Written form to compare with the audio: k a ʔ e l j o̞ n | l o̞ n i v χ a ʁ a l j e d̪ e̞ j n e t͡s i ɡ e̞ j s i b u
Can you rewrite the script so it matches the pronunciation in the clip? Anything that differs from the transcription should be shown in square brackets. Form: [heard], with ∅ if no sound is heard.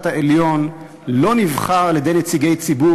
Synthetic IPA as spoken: [t] a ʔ e l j o̞ n | l o̞ n i v χ a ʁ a l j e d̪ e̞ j n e t͡s i ɡ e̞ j [t͡s] i b u